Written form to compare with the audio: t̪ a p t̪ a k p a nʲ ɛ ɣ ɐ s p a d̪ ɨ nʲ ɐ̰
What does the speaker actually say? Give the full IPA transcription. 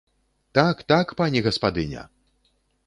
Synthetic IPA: t̪ a k t̪ a k p a nʲ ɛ ɣ ɐ s p a d̪ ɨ nʲ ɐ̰